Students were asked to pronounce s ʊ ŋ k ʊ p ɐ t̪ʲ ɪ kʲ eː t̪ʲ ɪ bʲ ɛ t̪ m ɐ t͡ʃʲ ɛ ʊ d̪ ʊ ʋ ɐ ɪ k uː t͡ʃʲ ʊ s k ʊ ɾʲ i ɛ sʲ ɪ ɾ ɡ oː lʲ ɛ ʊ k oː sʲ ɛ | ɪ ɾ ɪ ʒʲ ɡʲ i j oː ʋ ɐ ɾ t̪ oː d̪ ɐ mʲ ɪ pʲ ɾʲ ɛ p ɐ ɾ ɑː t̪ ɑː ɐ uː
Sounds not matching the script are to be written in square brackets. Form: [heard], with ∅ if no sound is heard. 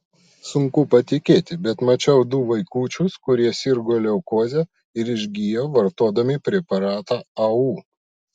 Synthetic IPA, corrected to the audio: s ʊ ŋ k ʊ p ɐ t̪ʲ ɪ kʲ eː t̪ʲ ɪ bʲ ɛ t̪ m ɐ t͡ʃʲ ɛ ʊ d̪ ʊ ʋ ɐ ɪ k uː t͡ʃʲ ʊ s k ʊ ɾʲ i ɛ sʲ ɪ ɾ ɡ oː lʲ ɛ ʊ k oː [zʲ] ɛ | ɪ ɾ ɪ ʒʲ ɡʲ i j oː ʋ ɐ ɾ t̪ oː d̪ ɐ mʲ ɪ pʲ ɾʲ ɛ p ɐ ɾ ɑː t̪ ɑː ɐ uː